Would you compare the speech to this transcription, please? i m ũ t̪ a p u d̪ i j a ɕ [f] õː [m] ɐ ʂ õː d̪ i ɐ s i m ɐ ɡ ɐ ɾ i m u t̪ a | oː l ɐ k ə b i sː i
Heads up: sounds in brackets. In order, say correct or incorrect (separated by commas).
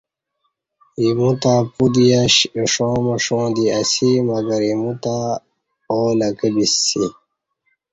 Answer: incorrect, correct